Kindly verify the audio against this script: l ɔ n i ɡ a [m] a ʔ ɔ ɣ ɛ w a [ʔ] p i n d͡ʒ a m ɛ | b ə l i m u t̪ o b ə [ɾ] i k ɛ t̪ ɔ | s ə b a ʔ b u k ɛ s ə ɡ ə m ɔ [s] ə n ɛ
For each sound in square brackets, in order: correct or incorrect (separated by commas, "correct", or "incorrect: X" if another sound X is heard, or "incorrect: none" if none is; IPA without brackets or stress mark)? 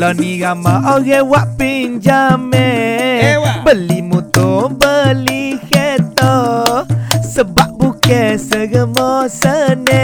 correct, correct, incorrect: l, correct